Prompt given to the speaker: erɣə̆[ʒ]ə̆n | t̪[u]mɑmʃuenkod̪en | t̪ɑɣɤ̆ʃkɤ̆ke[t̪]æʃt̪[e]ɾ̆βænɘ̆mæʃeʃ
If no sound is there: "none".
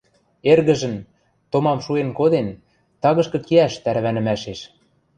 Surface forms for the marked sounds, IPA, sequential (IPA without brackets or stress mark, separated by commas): ʒ, o, none, æ